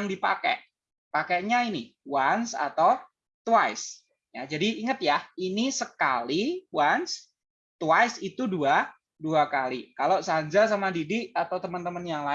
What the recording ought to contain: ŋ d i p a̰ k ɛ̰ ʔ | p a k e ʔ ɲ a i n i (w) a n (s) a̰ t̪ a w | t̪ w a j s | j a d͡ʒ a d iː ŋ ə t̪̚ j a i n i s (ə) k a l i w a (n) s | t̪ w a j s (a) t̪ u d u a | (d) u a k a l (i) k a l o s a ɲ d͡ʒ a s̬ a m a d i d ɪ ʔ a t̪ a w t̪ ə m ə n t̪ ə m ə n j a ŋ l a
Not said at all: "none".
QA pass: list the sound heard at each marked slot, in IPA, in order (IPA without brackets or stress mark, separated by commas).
w, s, ə, n, i, d, i